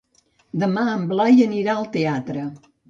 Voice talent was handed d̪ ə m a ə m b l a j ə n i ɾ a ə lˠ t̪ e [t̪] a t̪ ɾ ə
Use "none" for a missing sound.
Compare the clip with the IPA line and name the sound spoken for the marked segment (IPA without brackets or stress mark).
none